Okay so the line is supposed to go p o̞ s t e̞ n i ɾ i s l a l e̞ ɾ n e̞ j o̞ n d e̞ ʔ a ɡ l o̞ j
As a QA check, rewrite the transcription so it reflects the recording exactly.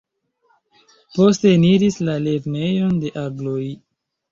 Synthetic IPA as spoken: p o̞ s t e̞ n i ɾ i s l a l e̞ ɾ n e̞ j o̞ n d e̞ ʔ a ɡ l o̞ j